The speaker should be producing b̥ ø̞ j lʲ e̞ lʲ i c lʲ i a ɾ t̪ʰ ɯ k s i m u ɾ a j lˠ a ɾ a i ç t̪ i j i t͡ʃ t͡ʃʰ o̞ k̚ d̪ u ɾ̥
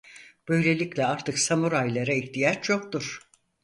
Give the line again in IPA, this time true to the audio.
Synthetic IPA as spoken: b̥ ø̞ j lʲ e̞ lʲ i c lʲ ɛ a ɾ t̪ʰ ɯ k s a m u ɾ a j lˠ a ɾ a i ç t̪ i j a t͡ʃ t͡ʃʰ o̞ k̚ t̪ u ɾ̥